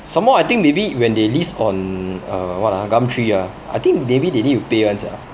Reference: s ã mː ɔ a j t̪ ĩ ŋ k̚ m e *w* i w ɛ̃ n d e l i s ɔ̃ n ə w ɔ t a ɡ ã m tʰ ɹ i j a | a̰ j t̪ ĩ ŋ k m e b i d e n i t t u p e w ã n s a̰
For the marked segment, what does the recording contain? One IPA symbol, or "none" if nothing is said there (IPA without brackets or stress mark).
b